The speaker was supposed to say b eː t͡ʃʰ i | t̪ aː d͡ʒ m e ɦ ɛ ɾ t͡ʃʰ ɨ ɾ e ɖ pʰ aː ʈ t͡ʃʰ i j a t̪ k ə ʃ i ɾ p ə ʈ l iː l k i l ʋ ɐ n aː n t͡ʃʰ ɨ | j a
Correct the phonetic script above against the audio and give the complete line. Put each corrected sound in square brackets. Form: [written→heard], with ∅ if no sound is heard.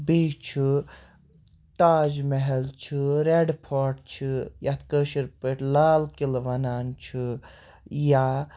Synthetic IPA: b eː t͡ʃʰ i | t̪ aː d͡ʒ m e ɦ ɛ [ɾ→l] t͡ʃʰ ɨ ɾ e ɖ pʰ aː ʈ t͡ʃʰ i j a t̪ k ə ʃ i ɾ p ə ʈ l [iː→aː] l k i l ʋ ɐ n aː n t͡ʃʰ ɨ | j a

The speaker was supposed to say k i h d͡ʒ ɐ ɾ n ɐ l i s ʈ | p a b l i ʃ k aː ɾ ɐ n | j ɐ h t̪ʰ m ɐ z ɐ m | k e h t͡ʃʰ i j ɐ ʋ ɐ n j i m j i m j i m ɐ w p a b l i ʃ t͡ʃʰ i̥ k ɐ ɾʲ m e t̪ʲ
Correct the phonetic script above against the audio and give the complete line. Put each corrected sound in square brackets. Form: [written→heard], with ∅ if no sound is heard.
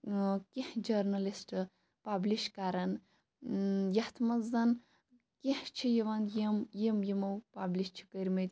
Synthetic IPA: k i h d͡ʒ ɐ ɾ n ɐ l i s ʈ | p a b l i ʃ k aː ɾ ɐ n | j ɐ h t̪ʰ m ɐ z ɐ [m→n] | k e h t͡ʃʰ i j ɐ ʋ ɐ n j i m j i m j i m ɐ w p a b l i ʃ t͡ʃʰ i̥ k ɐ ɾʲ m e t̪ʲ

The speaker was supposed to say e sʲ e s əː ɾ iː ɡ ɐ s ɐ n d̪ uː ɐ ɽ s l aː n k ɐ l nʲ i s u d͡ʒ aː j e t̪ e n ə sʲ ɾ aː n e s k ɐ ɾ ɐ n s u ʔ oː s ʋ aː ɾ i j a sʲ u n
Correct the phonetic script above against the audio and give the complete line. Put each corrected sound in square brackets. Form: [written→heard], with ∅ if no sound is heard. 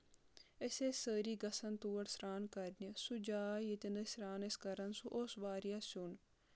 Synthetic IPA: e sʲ e s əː ɾ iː ɡ ɐ s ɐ n [d̪→t̪] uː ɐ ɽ s [l→ɾ] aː n k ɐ [l→ɾ] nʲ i s u d͡ʒ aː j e t̪ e n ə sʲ ɾ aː n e s k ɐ ɾ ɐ n s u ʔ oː s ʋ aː ɾ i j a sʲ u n

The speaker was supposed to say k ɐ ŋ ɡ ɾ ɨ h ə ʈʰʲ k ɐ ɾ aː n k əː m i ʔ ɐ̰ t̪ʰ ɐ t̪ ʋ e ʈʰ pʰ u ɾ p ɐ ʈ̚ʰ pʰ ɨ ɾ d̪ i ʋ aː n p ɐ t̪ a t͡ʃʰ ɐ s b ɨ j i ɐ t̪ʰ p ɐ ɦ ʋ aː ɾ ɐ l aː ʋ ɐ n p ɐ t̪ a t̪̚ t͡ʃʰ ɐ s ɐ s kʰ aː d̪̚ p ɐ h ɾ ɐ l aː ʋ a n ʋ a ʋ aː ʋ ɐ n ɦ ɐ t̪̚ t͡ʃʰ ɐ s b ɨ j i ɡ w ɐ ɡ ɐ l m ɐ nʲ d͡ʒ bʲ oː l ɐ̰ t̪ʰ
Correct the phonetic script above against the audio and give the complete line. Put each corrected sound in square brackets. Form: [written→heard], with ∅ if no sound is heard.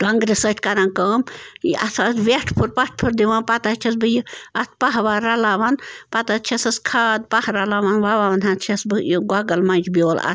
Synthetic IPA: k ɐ ŋ ɡ ɾ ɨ [h→s] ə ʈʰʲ k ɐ ɾ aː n k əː m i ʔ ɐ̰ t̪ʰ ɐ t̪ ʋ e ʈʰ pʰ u ɾ p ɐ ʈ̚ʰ pʰ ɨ ɾ d̪ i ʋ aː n p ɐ t̪ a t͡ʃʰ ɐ s b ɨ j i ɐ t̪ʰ p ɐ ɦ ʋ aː ɾ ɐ l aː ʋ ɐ n p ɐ t̪ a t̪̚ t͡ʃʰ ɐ s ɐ s kʰ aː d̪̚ p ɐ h ɾ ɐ l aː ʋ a n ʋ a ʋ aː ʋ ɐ n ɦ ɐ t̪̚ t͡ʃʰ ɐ s b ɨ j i ɡ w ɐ ɡ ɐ l m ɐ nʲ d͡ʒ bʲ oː l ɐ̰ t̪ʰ

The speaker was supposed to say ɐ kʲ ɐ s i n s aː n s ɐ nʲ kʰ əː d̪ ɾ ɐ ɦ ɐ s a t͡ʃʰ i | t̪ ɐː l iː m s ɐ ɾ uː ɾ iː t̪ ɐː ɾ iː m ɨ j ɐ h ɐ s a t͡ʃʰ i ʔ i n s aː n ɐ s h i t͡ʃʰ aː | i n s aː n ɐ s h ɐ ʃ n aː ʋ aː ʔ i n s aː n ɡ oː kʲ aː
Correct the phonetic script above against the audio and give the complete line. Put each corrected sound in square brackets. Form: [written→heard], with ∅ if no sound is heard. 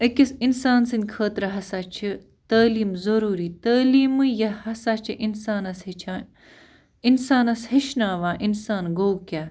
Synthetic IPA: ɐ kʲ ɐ s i n s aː n s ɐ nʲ kʰ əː [d̪→t̪] ɾ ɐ ɦ ɐ s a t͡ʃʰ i | t̪ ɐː l iː m [s→z] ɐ ɾ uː ɾ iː t̪ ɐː [ɾ→l] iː m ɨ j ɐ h ɐ s a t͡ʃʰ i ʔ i n s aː n ɐ s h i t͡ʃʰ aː | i n s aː n ɐ s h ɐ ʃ n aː ʋ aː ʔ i n s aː n ɡ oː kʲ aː

